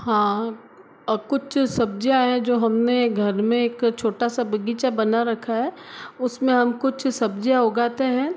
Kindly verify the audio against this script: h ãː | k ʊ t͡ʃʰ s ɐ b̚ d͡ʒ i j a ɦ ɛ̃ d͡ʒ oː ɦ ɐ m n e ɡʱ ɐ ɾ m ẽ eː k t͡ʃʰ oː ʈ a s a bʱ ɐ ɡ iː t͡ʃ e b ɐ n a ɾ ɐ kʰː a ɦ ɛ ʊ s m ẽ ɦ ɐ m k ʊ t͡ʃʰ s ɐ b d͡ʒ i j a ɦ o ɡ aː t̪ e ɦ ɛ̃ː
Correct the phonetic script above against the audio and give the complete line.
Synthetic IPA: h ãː | k ʊ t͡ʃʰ s ɐ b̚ d͡ʒ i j a ɦ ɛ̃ d͡ʒ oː ɦ ɐ m n e ɡʱ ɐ ɾ m ẽ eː k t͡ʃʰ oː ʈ a s a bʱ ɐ ɡ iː t͡ʃ a b ɐ n a ɾ ɐ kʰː a ɦ ɛ ʊ s m ẽ ɦ ɐ m k ʊ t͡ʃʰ s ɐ b d͡ʒ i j a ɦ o ɡ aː t̪ e ɦ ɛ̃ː